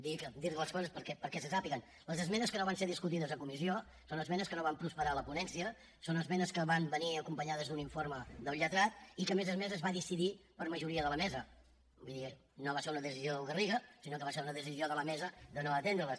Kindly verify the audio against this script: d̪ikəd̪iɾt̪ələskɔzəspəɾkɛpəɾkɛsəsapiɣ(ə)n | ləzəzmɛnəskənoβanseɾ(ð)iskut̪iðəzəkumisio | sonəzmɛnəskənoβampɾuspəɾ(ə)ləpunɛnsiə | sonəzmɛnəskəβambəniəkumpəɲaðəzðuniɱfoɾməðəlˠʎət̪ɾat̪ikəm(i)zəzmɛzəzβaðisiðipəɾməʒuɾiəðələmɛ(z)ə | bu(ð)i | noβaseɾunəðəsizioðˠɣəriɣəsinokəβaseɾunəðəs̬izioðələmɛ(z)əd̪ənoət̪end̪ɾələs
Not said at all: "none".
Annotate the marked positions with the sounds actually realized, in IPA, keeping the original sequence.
ə, ð, a, e, z, ð, z

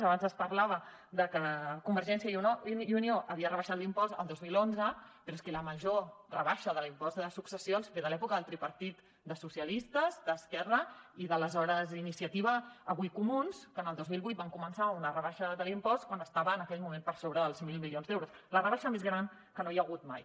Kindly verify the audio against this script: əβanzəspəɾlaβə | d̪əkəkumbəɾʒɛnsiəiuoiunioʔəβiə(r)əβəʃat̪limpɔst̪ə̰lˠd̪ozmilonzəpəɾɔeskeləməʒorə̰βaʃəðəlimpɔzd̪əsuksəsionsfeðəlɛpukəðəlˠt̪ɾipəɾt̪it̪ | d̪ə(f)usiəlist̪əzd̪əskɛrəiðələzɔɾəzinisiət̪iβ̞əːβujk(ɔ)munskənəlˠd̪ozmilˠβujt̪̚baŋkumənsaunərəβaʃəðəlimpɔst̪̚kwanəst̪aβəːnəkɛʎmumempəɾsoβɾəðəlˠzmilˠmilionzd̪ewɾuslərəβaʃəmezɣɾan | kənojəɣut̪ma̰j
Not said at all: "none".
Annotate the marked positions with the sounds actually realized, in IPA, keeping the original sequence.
r, s, u

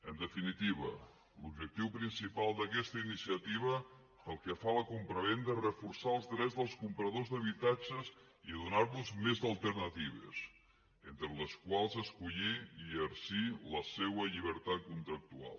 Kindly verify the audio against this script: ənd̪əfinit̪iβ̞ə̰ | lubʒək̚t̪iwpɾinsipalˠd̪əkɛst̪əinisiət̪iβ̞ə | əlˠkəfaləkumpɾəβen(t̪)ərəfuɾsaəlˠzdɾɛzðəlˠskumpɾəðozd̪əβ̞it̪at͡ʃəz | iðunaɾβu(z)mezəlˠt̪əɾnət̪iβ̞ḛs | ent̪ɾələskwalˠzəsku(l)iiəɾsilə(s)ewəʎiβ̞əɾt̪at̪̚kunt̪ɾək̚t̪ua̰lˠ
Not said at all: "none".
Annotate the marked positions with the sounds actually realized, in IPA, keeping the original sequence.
d̪, z, ʎ, s

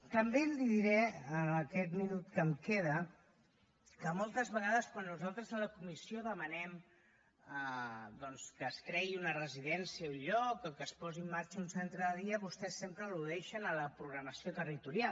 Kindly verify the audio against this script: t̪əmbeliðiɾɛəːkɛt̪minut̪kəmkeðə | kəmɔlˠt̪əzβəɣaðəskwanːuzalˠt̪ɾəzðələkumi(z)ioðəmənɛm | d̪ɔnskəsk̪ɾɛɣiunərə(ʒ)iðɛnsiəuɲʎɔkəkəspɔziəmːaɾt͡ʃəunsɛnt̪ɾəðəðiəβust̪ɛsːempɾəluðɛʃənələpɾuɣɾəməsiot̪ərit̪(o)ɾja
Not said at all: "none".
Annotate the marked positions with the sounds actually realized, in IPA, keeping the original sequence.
s, z, u

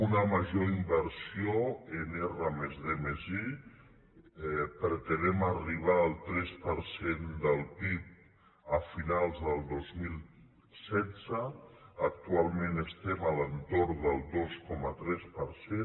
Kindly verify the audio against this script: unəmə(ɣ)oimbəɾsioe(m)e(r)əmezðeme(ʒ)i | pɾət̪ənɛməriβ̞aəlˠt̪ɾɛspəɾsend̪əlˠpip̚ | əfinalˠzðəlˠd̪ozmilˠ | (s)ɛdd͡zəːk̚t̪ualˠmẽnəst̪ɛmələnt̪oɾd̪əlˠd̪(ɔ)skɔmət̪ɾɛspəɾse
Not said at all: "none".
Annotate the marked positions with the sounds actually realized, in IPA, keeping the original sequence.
ʒ, n, r, z, s, o

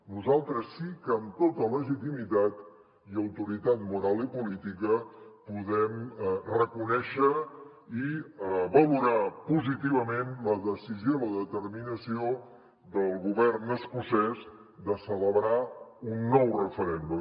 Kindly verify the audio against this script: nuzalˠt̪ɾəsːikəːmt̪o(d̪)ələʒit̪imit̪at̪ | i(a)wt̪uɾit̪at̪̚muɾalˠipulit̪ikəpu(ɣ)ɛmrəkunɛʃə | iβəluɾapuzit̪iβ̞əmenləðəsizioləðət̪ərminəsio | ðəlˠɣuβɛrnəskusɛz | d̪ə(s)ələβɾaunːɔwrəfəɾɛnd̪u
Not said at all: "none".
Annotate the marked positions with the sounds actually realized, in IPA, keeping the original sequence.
t̪, ə, ð, s

